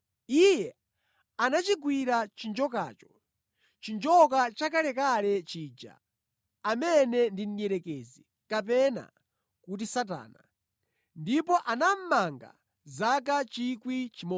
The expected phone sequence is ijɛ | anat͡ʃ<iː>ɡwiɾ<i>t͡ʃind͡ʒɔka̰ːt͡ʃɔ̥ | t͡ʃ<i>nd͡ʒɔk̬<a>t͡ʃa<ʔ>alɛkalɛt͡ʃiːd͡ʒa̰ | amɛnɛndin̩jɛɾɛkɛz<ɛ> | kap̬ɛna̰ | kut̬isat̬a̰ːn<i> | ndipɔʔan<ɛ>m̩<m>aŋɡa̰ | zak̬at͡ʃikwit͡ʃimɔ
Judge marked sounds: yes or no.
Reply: no, no, yes, yes, no, no, no, no, yes

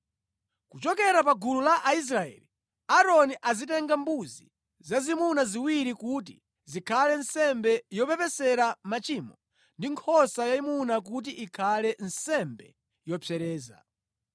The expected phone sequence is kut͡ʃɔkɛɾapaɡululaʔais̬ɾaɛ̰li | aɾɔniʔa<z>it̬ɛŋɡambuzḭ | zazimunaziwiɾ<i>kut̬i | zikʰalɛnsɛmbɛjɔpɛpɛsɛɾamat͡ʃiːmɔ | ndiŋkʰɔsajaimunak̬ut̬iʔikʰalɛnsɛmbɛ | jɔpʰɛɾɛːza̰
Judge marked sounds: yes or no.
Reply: yes, yes

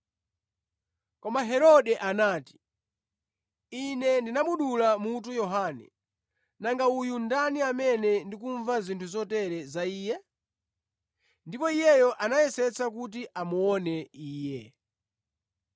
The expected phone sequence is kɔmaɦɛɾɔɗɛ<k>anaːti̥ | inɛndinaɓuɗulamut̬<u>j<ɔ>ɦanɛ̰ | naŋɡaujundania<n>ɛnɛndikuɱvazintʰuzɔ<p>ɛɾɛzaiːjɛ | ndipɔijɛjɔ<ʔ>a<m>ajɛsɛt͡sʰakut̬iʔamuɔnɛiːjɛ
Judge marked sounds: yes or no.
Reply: no, yes, yes, no, no, yes, no

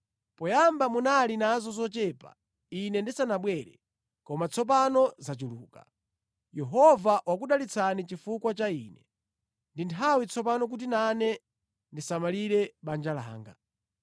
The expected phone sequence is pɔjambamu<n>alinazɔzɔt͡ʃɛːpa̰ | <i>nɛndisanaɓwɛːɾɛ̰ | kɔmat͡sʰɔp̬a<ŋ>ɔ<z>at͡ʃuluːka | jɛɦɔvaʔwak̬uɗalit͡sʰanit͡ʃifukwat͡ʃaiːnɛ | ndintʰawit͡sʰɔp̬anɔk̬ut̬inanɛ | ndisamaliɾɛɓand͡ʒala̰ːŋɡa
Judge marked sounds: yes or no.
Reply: yes, yes, no, yes

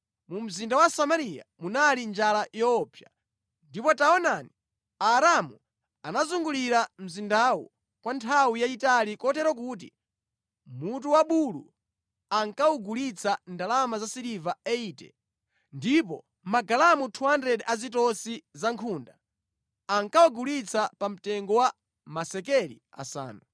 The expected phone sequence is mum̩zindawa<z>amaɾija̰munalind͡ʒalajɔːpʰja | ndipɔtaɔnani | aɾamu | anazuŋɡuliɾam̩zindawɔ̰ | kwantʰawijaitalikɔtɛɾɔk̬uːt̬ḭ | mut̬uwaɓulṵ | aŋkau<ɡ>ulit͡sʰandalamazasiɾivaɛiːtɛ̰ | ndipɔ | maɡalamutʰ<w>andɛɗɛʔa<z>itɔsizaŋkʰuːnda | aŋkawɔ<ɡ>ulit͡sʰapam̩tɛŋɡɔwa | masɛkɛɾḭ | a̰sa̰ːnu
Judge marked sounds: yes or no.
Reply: no, yes, no, yes, yes

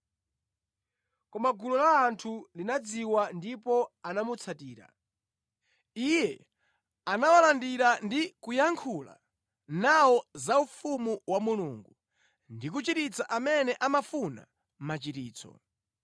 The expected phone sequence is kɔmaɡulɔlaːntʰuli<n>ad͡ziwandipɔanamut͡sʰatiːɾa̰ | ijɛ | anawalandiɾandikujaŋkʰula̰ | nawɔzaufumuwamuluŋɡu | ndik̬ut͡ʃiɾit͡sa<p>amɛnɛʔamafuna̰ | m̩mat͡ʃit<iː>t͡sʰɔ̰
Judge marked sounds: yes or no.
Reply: yes, no, yes

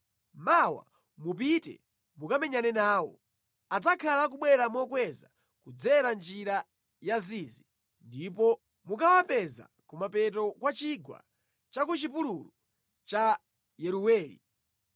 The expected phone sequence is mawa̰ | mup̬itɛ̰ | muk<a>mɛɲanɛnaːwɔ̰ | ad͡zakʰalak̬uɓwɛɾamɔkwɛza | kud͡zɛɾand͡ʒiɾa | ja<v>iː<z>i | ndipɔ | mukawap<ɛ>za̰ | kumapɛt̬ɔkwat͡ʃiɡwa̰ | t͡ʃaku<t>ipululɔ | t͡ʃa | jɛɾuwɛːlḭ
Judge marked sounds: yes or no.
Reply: yes, no, yes, yes, no

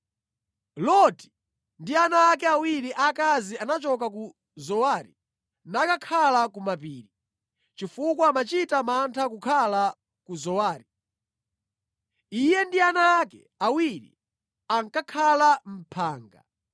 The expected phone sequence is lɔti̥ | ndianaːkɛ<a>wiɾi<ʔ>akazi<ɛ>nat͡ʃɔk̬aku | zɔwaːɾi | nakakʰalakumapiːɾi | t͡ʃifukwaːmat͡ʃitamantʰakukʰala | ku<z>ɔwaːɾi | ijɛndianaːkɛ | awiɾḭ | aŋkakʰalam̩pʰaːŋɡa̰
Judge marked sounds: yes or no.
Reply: yes, yes, no, yes

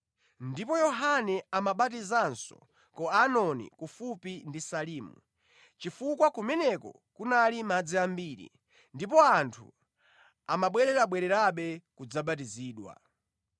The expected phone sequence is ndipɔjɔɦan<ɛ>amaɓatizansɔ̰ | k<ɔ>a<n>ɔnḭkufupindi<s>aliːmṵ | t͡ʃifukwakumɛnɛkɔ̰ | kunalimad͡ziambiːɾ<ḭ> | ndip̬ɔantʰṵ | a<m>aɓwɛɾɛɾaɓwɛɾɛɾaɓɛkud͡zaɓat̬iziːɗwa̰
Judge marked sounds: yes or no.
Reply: yes, yes, yes, yes, yes, yes

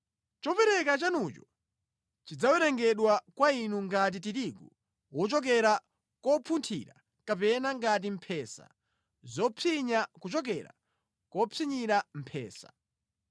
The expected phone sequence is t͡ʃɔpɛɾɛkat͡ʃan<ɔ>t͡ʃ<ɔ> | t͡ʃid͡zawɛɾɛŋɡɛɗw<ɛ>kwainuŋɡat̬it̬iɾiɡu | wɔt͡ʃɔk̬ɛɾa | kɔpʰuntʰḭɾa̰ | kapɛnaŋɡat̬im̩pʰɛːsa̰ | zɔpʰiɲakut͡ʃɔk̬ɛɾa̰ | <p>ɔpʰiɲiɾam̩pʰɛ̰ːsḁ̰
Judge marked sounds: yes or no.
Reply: no, yes, no, no

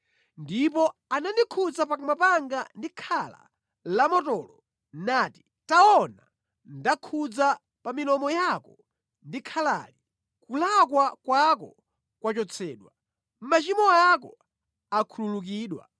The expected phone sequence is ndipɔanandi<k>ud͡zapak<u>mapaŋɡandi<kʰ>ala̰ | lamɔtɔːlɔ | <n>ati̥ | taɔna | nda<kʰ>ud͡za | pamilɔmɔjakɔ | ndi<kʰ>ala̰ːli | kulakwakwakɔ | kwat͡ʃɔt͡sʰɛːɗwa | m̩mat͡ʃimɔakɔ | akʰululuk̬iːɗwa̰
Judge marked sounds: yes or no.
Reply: no, yes, yes, yes, yes, yes

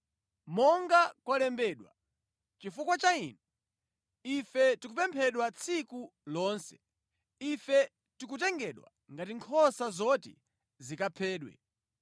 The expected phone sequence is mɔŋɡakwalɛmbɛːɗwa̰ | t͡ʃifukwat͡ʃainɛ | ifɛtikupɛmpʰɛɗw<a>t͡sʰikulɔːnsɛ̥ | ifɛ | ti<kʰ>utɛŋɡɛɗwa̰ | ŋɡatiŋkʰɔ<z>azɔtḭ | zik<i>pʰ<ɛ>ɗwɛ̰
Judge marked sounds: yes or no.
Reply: yes, no, no, no, no

